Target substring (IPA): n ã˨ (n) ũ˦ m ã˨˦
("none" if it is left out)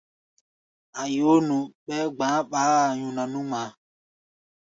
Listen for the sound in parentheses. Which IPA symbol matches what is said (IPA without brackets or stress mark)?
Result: n